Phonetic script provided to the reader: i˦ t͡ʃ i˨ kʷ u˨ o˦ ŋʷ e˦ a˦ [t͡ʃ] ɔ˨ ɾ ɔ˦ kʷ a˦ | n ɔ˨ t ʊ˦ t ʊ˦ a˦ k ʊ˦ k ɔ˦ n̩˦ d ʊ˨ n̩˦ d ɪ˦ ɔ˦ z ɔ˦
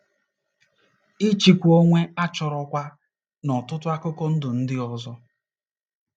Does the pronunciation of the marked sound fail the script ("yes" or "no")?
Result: no